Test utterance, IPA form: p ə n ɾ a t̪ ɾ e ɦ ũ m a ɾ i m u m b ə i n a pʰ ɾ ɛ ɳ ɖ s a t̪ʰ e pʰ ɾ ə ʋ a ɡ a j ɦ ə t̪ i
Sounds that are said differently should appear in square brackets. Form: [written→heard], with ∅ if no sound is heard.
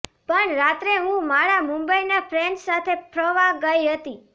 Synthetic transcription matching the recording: p ə [n→ɳ] ɾ a t̪ ɾ e ɦ ũ m a ɾ [i→a] m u m b ə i n a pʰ ɾ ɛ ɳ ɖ s a t̪ʰ e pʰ ɾ ə ʋ a ɡ [a→ə] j ɦ ə t̪ i